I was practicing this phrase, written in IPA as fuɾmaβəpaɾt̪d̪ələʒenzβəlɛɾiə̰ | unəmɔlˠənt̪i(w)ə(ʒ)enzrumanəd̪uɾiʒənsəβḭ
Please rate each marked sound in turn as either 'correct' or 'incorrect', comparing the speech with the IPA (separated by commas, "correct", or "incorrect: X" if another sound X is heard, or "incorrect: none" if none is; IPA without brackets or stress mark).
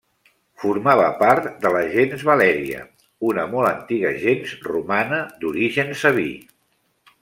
incorrect: ɣ, correct